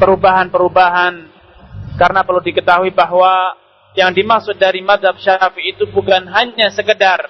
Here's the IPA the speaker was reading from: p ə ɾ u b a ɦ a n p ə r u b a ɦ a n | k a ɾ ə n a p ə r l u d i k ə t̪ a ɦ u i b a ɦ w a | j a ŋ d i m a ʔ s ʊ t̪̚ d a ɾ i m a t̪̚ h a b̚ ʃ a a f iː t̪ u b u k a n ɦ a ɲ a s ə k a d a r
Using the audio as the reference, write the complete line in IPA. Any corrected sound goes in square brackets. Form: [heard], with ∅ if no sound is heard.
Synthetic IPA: p ə ɾ u b a ɦ a n p ə [ɾ] u b a ɦ a n | k a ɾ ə n a p ə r l u d i k ə t̪ a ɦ u i b a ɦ w a | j a ŋ d i m a [k] s ʊ t̪̚ d a ɾ i m a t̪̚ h a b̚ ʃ a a f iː t̪ u b u k a n ɦ a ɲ a s ə k [ə] d a r